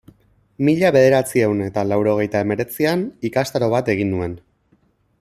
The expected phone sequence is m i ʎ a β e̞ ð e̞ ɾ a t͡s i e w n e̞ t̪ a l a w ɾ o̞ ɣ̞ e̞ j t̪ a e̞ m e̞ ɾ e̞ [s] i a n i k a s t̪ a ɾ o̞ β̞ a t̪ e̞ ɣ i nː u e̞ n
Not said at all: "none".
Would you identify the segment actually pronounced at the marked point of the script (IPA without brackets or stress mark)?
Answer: t͡s